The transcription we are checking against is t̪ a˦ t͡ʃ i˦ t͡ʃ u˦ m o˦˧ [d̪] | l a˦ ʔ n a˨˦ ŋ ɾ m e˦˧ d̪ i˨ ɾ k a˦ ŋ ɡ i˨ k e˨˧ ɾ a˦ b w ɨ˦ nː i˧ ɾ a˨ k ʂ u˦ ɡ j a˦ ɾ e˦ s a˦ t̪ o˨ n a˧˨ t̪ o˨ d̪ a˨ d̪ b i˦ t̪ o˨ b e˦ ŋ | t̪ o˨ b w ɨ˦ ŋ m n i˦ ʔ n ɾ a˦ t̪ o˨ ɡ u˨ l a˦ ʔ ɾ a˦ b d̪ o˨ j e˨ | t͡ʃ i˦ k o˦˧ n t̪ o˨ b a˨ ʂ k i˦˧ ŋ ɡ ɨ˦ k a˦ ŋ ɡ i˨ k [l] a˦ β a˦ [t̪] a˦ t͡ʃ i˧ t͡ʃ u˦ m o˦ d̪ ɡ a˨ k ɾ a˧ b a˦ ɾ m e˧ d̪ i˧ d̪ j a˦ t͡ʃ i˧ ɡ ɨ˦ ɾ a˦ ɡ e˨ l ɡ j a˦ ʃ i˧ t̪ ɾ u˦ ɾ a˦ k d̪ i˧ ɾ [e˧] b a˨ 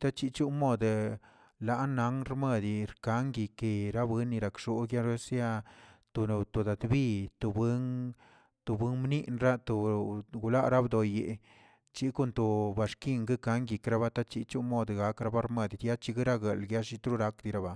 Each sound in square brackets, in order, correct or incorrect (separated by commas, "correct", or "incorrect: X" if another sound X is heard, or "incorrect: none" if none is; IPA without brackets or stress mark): correct, incorrect: ɾ, correct, incorrect: a˧